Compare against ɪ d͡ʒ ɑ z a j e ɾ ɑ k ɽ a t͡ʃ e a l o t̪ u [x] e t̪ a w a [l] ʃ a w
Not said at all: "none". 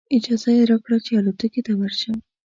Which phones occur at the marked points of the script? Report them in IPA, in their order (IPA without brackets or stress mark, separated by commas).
k, ɾ